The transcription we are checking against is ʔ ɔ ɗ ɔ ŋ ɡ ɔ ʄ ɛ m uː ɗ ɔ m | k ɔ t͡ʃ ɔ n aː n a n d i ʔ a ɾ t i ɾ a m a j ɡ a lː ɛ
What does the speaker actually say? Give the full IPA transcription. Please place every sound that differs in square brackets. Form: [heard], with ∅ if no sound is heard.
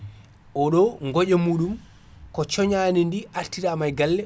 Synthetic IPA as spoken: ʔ ɔ ɗ ɔ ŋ ɡ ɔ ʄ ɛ m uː ɗ [u] m | k ɔ t͡ʃ ɔ [ɲ] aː n [i] n d i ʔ a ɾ t i ɾ a m a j ɡ a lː ɛ